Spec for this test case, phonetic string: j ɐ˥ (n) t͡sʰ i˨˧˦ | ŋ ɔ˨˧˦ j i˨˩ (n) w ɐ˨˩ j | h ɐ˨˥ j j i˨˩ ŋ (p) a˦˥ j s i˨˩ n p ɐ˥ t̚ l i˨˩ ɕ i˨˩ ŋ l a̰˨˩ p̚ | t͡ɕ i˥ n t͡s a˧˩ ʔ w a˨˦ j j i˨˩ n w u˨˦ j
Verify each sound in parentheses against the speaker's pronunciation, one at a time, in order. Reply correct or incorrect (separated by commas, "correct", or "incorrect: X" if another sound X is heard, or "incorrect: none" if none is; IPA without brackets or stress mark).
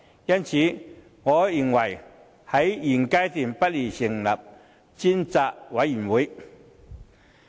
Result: correct, incorrect: ŋ, incorrect: k